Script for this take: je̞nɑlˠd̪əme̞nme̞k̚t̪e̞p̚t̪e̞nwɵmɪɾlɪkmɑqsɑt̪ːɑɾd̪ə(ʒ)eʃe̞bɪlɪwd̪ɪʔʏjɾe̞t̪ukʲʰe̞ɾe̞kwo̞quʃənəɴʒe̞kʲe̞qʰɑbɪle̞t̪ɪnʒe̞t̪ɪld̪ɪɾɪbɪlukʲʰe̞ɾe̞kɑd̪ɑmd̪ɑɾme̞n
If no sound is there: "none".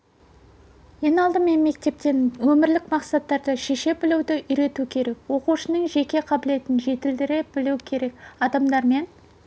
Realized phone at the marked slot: ʃ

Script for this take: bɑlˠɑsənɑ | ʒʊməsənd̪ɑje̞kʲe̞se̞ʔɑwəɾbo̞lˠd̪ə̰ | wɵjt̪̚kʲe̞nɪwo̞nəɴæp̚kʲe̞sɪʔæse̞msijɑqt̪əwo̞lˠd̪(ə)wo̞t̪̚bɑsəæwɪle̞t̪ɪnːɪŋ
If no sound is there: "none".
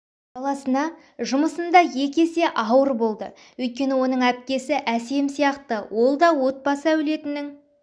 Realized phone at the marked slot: ɑ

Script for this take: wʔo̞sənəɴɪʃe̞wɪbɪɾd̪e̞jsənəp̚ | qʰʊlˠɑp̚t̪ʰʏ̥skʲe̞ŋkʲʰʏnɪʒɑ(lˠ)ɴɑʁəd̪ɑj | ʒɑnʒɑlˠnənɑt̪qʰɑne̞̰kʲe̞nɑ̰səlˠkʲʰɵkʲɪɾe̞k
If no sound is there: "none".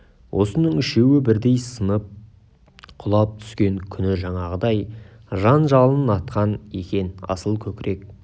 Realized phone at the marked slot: none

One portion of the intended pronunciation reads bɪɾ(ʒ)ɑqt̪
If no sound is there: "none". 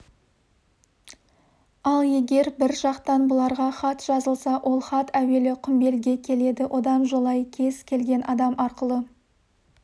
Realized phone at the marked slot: ʒ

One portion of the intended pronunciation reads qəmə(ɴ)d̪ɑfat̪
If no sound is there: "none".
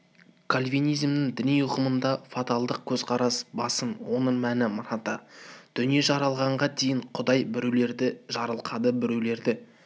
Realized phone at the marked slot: n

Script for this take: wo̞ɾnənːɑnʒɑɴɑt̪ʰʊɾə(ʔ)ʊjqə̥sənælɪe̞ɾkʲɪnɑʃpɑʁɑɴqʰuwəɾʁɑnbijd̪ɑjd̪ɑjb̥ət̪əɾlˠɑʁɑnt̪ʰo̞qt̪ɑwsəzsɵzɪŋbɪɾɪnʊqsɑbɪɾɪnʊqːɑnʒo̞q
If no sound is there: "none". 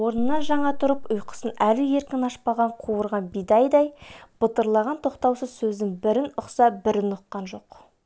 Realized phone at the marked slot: p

